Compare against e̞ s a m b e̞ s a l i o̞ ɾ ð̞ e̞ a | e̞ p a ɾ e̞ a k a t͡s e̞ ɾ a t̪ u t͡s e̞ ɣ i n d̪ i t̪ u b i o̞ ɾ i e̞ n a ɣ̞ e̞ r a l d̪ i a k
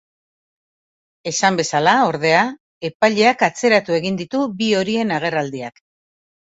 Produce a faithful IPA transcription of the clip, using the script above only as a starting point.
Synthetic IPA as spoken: e̞ s a m b e̞ s a l a o̞ ɾ ð̞ e̞ a | e̞ p a ʎ e̞ a k a t͡s e̞ ɾ a t̪ u e̞ ɣ i n d̪ i t̪ u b i o̞ ɾ i e̞ n a ɣ̞ e̞ r a l d̪ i a k